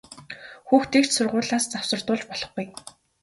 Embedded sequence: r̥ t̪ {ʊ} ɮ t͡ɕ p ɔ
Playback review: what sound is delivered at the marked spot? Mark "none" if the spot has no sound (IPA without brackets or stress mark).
ʊː